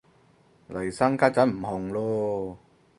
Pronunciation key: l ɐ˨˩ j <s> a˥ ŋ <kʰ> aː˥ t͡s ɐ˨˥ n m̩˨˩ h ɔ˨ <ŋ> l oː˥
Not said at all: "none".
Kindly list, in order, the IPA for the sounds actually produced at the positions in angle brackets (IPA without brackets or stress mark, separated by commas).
s, k, ŋ